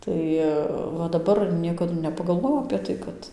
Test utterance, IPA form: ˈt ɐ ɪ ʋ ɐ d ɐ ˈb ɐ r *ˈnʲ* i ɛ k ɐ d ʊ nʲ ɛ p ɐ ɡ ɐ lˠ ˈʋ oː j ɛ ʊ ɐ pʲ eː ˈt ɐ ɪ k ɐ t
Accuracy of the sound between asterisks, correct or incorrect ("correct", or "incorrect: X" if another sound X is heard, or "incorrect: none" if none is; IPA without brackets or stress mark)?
correct